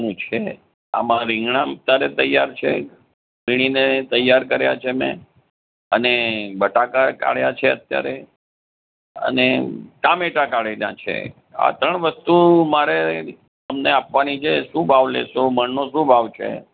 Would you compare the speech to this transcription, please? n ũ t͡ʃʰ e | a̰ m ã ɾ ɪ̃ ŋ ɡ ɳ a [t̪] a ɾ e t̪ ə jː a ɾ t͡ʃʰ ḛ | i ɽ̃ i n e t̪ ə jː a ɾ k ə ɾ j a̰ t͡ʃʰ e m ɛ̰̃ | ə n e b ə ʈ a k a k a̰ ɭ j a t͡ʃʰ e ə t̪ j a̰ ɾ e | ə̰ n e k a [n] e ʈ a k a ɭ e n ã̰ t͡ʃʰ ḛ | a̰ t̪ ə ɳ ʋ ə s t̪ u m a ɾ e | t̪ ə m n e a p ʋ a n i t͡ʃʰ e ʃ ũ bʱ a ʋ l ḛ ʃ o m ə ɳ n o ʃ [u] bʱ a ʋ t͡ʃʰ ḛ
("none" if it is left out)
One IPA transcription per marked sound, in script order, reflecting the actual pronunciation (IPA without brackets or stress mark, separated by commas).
t̪, m, ũ